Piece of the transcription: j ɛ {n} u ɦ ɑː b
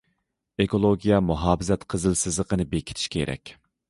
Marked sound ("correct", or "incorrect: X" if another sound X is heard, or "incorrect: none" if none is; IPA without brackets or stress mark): incorrect: m